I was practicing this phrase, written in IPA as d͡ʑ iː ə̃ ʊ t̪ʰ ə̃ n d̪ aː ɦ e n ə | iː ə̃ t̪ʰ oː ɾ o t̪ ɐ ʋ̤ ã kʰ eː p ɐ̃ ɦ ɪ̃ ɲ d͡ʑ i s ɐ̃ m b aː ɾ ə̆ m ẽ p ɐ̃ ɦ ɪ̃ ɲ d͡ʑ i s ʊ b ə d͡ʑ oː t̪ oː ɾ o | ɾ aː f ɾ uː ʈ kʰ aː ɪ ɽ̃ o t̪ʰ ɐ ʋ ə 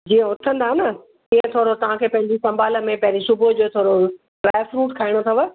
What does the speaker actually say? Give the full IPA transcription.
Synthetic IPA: d͡ʑ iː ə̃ ʊ t̪ʰ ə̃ n d̪ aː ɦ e n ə | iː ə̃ t̪ʰ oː ɾ o t̪ ɐ ʋ̤ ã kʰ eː p ɐ̃ ɦ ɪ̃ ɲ d͡ʑ i s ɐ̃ m b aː l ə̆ m ẽ p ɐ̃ ɦ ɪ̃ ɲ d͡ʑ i s ʊ b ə d͡ʑ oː t̪ʰ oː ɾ o | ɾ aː f ɾ uː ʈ kʰ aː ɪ ɽ̃ o t̪ʰ ɐ ʋ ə